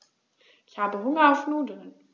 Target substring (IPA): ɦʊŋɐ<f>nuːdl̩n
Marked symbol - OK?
yes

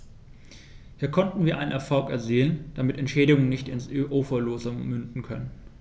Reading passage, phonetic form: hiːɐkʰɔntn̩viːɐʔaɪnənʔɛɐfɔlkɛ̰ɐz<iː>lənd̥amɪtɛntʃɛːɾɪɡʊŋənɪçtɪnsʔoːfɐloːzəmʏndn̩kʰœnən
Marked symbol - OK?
yes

